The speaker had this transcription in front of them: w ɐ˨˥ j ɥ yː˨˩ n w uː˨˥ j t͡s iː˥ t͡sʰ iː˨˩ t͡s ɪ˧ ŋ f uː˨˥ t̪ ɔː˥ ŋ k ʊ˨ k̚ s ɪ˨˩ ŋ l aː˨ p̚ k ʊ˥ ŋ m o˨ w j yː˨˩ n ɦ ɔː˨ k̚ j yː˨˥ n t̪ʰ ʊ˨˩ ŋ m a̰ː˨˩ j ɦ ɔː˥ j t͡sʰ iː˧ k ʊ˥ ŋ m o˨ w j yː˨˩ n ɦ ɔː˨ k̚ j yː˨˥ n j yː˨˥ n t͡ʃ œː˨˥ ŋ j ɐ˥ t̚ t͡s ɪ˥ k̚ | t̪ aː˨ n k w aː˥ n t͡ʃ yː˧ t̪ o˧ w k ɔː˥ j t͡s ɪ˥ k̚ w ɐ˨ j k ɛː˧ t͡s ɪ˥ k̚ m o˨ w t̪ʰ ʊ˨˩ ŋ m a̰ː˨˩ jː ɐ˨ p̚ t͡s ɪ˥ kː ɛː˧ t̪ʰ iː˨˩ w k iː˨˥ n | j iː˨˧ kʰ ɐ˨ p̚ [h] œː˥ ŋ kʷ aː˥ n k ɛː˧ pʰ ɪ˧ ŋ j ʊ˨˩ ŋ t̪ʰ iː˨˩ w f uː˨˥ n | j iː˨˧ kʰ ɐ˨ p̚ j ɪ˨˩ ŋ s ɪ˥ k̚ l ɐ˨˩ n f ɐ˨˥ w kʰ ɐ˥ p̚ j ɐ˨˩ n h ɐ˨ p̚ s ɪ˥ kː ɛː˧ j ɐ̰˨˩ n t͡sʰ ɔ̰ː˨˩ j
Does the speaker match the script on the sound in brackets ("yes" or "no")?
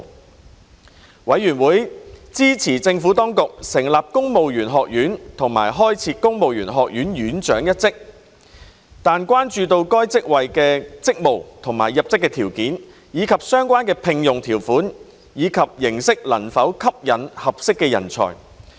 no